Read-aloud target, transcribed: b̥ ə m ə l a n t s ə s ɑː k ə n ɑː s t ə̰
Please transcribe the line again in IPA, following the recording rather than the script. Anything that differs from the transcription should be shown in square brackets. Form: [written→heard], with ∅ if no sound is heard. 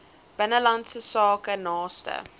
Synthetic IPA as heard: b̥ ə [m→n] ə l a n t s ə s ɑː k ə n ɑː s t ə̰